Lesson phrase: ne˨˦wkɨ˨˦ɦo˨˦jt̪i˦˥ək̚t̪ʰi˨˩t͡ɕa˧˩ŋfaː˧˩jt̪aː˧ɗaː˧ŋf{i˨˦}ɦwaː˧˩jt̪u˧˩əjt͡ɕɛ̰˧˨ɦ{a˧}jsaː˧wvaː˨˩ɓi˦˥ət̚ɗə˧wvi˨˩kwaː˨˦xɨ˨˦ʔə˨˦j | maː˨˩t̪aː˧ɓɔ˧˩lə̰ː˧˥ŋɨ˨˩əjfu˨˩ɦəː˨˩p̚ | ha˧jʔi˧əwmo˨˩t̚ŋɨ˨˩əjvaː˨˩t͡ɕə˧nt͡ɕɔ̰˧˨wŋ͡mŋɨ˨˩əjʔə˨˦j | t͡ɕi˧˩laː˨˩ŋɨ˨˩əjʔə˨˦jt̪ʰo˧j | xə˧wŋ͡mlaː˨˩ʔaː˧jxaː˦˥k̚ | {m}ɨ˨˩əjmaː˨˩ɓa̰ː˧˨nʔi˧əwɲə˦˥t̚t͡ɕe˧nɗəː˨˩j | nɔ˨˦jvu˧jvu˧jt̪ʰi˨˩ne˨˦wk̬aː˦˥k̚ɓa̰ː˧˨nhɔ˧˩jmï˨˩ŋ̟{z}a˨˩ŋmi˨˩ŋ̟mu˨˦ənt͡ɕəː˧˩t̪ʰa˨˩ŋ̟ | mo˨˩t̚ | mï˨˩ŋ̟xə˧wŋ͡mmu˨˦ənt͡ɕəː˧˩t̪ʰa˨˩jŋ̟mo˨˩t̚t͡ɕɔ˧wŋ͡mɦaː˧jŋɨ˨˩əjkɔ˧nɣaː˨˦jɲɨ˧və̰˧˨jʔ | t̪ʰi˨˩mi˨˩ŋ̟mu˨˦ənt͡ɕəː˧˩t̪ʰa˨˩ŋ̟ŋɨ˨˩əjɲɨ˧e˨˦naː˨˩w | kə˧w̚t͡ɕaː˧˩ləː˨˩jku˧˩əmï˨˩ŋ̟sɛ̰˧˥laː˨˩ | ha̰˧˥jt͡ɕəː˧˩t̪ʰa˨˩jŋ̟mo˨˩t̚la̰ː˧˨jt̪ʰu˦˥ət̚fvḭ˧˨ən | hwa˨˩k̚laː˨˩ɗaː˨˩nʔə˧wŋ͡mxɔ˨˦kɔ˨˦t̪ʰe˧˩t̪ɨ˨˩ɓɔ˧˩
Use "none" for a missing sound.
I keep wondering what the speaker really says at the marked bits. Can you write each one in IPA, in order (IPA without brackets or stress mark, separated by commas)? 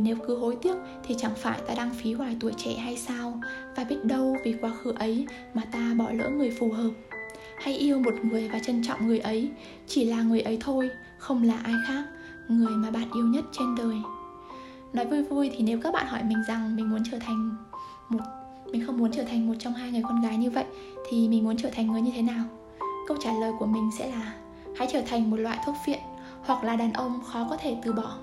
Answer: i˨˦, a˧, ŋ, z